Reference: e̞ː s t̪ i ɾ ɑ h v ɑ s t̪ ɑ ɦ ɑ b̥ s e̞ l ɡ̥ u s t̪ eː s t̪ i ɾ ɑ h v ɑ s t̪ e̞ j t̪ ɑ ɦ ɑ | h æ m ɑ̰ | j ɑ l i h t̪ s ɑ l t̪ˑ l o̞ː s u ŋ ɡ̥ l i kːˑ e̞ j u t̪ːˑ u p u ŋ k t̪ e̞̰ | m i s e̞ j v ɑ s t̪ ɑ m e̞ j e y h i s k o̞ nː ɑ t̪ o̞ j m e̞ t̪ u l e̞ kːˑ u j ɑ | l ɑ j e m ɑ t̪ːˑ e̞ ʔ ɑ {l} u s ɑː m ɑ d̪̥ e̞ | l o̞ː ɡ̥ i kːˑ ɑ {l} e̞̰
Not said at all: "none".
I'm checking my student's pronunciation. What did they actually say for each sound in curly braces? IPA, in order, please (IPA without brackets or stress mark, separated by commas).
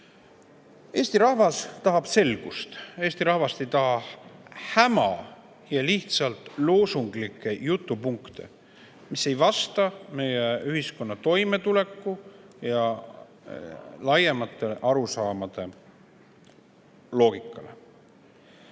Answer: ɾ, l